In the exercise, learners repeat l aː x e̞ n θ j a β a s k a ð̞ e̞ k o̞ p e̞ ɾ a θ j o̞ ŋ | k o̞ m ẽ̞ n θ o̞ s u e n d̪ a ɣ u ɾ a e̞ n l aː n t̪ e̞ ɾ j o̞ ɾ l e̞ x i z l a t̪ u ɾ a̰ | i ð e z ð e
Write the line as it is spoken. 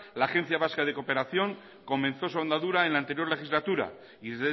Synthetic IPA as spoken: l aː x e̞ n θ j a β a s k a ð̞ e̞ k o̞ p e̞ ɾ a θ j o̞ ŋ | k o̞ m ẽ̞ n θ o̞ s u a n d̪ a ð u ɾ a e̞ n l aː n t̪ e̞ ɾ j o̞ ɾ l e̞ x i z l a t̪ u ɾ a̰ | i ð e z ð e